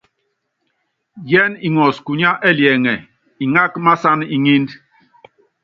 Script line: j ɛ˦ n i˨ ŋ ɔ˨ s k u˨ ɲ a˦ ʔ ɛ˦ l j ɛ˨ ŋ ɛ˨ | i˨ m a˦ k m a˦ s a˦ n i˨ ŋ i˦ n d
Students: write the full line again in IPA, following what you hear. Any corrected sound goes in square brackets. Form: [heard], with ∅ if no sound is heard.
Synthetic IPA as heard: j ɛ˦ n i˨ ŋ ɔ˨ s k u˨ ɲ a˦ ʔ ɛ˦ l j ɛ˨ ŋ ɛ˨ | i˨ [ŋ] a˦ k m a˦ s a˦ n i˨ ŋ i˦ n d